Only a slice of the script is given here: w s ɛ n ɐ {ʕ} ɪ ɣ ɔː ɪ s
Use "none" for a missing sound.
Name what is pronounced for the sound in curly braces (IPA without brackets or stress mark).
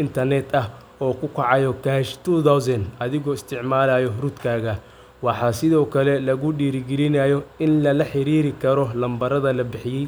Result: ð